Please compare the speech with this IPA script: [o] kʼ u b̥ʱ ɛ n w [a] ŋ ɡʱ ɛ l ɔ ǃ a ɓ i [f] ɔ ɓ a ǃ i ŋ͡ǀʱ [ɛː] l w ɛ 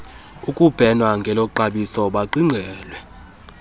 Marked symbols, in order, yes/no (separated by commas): no, yes, no, yes